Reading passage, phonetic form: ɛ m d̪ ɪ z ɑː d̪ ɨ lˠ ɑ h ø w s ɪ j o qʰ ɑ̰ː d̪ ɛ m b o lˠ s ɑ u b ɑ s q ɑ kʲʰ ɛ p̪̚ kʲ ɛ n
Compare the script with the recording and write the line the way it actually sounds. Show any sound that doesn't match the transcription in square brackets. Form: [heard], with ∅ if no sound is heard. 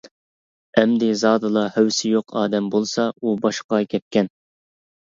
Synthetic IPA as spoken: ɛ m d̪ ɪ z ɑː d̪ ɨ lˠ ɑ h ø w s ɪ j o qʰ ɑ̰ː d̪ ɛ m b o lˠ s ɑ u b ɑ [ʃ] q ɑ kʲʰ ɛ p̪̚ kʲ ɛ n